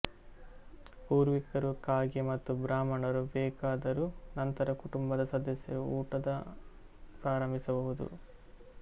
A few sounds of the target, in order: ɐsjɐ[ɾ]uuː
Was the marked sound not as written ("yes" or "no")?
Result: no